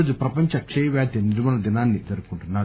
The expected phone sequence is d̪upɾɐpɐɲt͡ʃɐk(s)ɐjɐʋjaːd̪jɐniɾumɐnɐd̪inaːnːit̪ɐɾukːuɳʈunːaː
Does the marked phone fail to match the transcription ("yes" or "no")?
yes